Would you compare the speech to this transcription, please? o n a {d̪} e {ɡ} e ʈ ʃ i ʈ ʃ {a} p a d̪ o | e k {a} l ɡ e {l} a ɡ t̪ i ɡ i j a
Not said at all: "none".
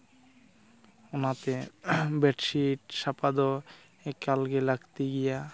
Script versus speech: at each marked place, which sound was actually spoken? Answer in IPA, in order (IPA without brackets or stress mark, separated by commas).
t̪, b, a, a, l